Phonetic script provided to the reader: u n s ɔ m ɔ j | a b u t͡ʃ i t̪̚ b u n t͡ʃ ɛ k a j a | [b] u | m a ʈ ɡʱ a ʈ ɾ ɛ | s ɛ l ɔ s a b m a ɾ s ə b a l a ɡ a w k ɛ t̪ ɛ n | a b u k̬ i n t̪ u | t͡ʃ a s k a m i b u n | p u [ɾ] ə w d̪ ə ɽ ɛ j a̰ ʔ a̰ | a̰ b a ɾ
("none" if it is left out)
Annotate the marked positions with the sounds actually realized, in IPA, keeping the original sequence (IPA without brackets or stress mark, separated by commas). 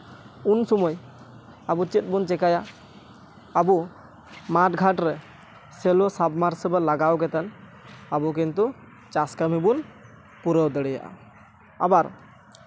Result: b, ɾ